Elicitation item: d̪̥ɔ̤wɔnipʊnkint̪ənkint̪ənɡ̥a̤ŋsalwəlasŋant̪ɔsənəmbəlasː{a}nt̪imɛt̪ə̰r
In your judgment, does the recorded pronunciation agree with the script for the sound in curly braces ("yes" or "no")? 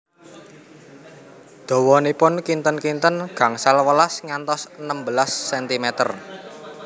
no